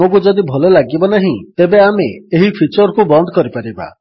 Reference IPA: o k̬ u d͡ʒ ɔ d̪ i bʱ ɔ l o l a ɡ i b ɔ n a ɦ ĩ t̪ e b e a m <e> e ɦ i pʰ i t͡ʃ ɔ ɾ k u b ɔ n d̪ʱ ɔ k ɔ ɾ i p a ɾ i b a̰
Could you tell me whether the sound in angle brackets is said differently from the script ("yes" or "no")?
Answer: no